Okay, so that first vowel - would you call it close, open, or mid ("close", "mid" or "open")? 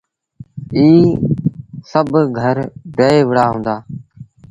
close